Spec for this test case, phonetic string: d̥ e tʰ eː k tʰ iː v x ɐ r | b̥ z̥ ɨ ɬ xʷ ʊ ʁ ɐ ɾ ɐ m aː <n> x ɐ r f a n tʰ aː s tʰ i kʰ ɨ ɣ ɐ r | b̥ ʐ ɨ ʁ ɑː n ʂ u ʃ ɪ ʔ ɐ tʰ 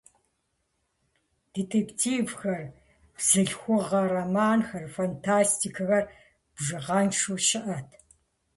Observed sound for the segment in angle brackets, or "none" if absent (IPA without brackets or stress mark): n